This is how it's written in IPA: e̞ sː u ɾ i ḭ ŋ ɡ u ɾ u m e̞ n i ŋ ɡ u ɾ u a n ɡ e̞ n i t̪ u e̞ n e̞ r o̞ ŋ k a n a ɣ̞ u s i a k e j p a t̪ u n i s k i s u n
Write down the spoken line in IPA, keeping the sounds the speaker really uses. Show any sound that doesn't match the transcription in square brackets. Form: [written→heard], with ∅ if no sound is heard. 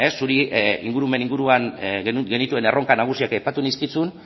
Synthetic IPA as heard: e̞ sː u ɾ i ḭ ŋ ɡ u ɾ u m e̞ n i ŋ ɡ u ɾ u a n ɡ e̞ n i t̪ u e̞ n e̞ r o̞ ŋ k a n a ɣ̞ u s i a k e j p a t̪ u n i s k i [s→t͡s] u n